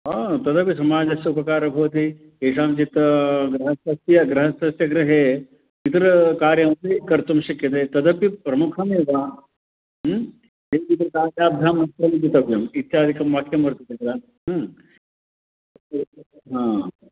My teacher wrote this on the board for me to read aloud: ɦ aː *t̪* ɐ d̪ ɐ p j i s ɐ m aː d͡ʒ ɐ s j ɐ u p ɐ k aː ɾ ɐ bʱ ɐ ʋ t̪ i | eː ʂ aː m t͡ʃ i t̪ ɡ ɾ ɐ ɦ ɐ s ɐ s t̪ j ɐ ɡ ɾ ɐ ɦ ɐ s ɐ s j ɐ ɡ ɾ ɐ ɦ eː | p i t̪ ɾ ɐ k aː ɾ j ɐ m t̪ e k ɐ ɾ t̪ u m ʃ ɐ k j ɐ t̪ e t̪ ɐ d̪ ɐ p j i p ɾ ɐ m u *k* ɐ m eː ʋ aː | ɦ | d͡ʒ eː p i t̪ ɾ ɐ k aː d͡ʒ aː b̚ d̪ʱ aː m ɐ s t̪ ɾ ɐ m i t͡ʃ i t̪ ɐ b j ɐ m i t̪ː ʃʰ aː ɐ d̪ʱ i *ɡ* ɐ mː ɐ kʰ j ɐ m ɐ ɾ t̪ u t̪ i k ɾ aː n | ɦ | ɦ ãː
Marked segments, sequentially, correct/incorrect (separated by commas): correct, incorrect, incorrect